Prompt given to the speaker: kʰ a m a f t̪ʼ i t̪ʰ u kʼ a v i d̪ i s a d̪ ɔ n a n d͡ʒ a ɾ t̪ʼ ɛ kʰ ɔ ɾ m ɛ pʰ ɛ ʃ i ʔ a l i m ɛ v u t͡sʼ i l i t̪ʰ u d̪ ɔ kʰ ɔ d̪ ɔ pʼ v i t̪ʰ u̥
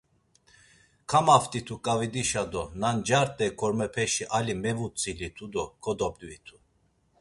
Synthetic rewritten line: kʰ a m a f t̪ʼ i t̪ʰ u kʼ a v i d̪ i ʃ a d̪ ɔ n a n d͡ʒ a ɾ t̪ʼ ɛ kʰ ɔ ɾ m ɛ pʰ ɛ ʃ i ʔ a l i m ɛ v u t͡sʼ i l i t̪ʰ u d̪ ɔ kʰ ɔ d̪ ɔ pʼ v i t̪ʰ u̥